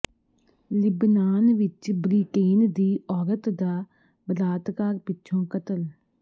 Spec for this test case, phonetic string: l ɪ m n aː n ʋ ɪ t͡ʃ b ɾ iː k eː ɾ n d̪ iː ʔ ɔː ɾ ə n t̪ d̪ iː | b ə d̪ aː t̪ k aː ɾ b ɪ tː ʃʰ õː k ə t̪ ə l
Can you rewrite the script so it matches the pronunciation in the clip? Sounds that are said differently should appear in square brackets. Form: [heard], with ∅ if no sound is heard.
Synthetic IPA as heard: l ɪ [b] n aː n ʋ ɪ t͡ʃ b ɾ iː k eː [∅] n d̪ iː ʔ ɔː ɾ ə [∅] t̪ d̪ [aː] | b ə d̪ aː t̪ k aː ɾ [p] ɪ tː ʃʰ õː k ə t̪ ə l